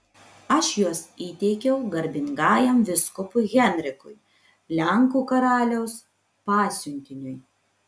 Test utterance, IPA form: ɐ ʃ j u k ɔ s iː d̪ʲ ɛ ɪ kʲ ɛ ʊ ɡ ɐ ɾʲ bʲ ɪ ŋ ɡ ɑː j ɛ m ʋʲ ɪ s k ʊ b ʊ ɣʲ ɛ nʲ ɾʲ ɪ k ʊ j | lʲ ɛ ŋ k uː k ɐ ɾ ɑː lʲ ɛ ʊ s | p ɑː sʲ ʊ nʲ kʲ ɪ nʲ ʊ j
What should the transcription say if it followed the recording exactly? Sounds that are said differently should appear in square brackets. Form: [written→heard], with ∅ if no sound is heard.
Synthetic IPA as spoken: ɐ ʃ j u [k→∅] ɔ s iː [d̪ʲ→t̪ʲ] ɛ ɪ kʲ ɛ ʊ ɡ ɐ ɾʲ bʲ ɪ ŋ ɡ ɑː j ɛ m ʋʲ ɪ s k ʊ [b→p] ʊ ɣʲ ɛ nʲ ɾʲ ɪ k ʊ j | lʲ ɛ ŋ k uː k ɐ ɾ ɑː lʲ ɛ ʊ s | p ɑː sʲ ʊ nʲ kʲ ɪ nʲ ʊ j